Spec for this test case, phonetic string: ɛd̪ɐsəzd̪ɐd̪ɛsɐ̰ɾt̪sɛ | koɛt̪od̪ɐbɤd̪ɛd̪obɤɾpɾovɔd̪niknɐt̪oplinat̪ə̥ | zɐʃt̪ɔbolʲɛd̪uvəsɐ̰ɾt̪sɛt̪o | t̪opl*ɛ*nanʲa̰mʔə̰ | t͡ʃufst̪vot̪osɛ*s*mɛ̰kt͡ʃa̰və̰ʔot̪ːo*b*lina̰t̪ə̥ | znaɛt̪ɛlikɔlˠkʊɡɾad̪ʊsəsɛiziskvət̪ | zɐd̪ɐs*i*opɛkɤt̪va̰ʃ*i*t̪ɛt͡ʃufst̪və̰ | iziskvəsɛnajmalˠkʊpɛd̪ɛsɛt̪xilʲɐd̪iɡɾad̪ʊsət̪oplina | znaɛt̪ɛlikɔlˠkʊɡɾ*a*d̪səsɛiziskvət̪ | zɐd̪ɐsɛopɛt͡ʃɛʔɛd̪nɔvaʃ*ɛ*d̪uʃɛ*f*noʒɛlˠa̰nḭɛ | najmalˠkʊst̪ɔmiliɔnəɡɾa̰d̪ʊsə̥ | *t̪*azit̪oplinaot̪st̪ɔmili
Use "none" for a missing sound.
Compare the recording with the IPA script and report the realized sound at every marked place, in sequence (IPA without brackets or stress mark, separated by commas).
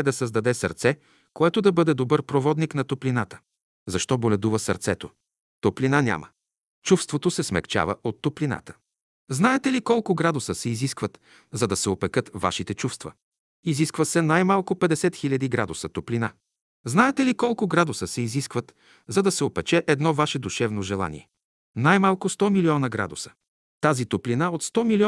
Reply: i, s, p, ɛ, i, a, ɛ, v, t̪